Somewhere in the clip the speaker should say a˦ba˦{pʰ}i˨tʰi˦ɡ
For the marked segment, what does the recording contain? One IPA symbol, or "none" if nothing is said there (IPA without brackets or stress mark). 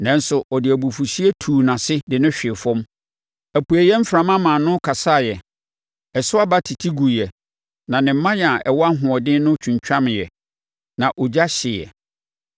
tʰ